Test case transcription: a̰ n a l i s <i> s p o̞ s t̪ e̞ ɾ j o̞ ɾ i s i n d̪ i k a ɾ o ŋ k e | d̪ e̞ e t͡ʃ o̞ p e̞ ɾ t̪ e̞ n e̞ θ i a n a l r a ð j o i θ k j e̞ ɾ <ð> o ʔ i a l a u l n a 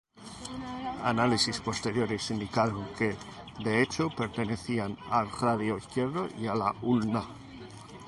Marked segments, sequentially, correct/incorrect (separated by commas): correct, correct